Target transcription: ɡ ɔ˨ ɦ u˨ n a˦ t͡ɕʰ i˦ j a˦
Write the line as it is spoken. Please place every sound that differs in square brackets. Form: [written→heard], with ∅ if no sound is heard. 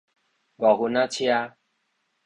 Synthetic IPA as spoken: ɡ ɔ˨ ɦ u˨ n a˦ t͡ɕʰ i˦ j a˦